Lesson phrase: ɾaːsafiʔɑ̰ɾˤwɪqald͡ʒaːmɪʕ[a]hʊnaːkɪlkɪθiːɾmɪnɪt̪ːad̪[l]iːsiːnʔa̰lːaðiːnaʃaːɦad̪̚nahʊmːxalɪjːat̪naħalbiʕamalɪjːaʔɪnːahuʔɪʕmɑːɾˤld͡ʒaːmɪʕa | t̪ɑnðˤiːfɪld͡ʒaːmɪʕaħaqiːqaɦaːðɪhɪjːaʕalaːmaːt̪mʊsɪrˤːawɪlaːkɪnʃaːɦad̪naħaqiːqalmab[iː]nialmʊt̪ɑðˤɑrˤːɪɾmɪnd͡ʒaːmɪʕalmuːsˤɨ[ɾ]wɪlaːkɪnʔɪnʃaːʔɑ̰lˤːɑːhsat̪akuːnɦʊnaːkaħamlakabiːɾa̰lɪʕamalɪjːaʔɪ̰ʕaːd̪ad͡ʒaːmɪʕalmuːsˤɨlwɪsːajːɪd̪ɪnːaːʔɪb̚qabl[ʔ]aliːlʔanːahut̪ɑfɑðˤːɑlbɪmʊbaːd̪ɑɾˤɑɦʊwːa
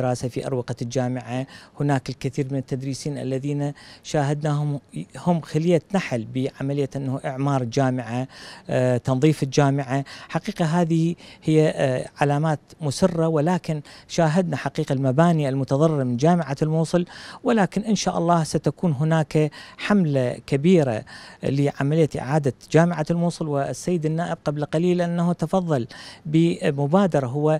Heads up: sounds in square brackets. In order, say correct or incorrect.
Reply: correct, incorrect, incorrect, incorrect, incorrect

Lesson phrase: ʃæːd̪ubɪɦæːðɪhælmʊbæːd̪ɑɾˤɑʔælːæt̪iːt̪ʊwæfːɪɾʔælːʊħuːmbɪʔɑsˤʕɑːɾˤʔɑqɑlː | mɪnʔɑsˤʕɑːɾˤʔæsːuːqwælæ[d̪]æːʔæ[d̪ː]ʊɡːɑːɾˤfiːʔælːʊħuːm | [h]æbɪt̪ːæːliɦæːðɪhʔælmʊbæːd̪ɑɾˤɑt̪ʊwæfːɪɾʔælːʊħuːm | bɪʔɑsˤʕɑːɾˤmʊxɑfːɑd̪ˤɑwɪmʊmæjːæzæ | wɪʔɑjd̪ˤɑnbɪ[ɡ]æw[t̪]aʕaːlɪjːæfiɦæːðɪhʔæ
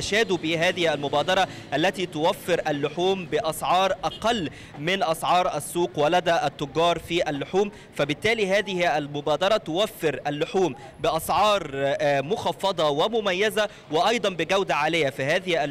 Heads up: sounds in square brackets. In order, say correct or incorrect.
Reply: correct, incorrect, incorrect, correct, incorrect

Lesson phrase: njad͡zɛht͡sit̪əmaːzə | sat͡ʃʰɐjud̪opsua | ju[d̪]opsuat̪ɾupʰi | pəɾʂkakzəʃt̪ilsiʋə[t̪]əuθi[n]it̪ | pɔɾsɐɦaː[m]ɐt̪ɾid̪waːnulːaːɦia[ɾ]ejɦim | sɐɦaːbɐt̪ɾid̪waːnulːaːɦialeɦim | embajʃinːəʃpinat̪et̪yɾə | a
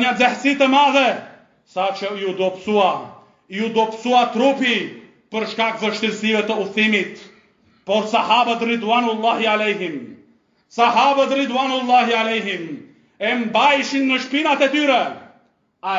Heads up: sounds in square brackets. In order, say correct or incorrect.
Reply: correct, correct, incorrect, incorrect, incorrect

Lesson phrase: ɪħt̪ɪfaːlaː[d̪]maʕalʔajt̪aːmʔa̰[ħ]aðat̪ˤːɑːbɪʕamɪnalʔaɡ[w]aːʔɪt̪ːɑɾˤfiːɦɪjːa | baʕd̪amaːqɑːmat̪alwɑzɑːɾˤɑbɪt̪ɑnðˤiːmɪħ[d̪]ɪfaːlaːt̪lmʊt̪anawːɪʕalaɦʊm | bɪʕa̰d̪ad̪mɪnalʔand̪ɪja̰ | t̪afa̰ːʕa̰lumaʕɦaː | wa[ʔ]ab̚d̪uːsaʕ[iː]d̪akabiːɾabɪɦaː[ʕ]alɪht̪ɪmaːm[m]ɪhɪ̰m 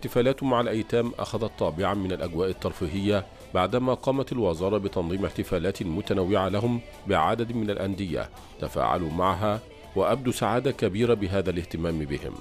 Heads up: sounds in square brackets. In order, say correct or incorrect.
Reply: incorrect, incorrect, correct, incorrect, correct, incorrect, incorrect, incorrect

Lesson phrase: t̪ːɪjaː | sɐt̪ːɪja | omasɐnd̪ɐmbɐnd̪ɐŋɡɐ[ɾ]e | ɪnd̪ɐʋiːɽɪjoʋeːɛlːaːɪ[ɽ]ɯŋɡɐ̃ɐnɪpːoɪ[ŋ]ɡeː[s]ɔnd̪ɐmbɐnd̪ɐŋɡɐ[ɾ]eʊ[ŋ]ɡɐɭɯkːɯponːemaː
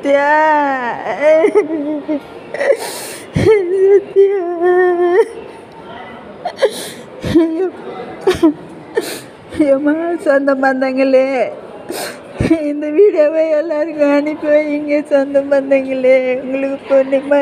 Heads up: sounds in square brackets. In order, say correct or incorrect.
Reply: incorrect, incorrect, correct, correct, incorrect, correct

